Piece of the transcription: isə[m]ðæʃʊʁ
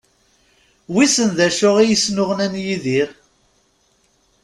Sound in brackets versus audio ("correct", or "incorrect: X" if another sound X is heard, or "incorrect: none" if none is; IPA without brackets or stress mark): incorrect: n